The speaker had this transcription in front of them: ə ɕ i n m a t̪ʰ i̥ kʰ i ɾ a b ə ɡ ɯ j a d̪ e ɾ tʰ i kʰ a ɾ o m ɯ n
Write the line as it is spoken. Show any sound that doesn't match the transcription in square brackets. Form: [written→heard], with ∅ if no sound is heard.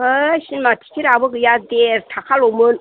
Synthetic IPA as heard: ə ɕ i n m a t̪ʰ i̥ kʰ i ɾ a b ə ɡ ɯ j a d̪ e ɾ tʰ [i→a] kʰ a [ɾ→l] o m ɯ n